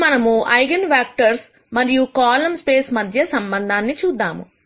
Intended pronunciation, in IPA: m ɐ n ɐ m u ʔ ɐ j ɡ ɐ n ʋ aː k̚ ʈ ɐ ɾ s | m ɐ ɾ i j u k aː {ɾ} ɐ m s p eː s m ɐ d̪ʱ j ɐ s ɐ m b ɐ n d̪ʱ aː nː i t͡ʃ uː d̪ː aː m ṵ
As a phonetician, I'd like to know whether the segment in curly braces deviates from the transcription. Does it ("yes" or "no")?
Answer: yes